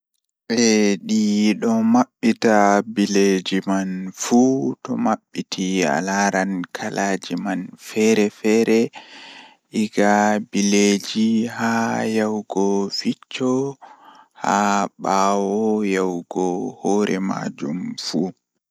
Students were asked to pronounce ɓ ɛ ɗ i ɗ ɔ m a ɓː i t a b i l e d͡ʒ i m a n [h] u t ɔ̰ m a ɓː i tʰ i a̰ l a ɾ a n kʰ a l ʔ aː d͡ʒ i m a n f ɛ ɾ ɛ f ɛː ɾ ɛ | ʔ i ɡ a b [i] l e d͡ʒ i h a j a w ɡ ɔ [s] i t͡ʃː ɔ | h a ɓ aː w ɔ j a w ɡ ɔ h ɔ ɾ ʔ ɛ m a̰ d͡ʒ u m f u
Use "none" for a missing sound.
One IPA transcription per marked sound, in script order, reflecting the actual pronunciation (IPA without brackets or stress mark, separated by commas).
f, i, f